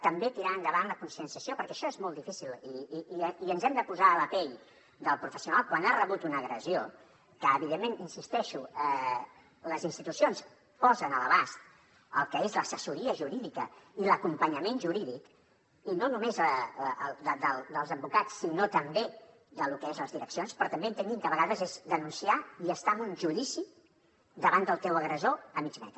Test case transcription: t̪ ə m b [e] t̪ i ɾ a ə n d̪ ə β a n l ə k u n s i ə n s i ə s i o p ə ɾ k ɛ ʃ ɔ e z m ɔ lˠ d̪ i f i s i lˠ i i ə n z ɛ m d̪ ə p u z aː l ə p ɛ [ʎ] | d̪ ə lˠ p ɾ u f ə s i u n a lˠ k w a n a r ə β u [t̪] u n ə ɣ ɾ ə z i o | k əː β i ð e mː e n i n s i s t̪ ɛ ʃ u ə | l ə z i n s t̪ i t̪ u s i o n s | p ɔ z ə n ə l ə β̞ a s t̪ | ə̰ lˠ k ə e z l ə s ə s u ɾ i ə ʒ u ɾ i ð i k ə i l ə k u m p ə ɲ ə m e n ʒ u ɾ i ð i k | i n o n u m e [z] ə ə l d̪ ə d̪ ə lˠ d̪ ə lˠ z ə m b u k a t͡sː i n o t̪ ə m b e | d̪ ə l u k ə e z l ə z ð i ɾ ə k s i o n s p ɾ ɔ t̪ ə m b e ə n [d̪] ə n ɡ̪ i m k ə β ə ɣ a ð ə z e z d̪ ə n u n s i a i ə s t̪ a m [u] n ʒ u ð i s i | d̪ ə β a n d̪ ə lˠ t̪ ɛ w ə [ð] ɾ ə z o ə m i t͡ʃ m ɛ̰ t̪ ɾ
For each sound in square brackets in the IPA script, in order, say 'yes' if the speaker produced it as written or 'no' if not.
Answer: yes, yes, yes, yes, no, yes, no

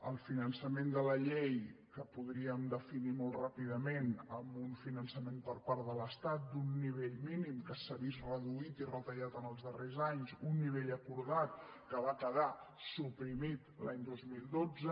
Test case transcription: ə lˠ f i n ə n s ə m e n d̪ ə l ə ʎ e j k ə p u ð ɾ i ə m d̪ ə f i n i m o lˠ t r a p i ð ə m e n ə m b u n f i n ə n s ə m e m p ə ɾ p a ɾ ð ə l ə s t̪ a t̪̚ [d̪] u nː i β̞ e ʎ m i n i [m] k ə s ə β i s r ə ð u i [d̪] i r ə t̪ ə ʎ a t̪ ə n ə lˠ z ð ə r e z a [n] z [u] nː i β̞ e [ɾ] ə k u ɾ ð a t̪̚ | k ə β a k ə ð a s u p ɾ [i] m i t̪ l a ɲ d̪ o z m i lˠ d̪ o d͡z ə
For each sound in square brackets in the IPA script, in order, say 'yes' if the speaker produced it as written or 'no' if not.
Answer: yes, yes, no, no, yes, no, yes

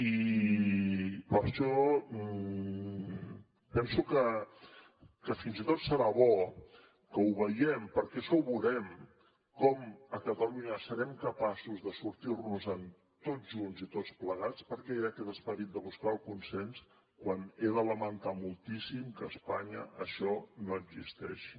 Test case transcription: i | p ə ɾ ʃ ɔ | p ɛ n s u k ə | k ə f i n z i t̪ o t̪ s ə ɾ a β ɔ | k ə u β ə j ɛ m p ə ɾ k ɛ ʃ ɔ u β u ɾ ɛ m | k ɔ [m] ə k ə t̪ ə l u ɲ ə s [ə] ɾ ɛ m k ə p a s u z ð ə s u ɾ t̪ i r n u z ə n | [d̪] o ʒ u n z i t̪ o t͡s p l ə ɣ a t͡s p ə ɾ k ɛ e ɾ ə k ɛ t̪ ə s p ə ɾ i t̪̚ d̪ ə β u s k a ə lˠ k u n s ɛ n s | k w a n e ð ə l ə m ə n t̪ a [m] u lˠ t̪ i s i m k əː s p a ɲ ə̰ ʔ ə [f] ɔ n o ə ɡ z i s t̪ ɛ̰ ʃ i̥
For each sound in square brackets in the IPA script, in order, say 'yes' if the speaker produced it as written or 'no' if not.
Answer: yes, yes, no, yes, no

